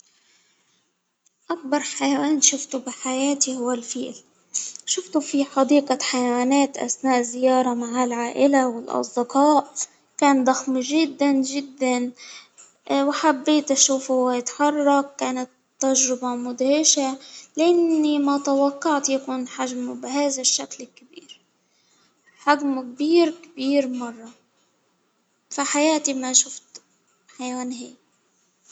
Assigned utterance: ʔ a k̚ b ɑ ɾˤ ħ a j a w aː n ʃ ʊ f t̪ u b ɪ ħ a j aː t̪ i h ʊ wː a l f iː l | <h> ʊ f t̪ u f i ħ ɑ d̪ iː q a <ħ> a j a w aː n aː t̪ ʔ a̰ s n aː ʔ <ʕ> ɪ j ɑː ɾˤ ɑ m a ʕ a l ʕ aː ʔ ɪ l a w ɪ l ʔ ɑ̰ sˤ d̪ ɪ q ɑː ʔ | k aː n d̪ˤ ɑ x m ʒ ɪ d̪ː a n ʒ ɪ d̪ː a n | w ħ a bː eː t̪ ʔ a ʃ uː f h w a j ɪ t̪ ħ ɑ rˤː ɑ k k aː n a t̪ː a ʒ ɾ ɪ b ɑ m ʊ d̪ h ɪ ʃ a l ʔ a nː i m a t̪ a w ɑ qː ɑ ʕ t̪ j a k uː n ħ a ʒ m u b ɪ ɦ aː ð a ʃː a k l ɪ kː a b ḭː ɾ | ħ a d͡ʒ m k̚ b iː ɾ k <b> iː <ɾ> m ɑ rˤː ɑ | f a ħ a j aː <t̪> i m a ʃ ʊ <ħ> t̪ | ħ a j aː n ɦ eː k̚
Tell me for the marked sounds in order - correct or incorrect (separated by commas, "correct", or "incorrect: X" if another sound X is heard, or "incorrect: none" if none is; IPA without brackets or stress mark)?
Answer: incorrect: ʃ, correct, incorrect: z, correct, correct, correct, incorrect: f